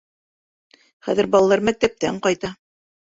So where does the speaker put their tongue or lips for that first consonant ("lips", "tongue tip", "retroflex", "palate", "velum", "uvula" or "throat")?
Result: uvula